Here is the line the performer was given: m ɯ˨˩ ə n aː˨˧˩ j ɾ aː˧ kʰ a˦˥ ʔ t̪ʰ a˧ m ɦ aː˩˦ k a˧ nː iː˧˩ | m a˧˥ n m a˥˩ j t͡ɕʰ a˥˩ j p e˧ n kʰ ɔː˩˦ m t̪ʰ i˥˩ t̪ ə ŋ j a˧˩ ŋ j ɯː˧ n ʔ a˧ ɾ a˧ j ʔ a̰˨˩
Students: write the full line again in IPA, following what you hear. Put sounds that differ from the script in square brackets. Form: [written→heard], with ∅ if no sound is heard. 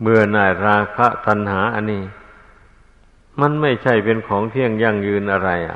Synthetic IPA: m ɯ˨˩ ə n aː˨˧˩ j ɾ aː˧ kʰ a˦˥ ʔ [t̪ʰ→t̪] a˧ [m→n] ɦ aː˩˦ [k→ʔ] a˧ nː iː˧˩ | m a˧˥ n m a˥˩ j t͡ɕʰ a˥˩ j p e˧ n kʰ ɔː˩˦ [m→ŋ] t̪ʰ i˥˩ [t̪→∅] ə ŋ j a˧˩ ŋ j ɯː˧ n ʔ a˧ ɾ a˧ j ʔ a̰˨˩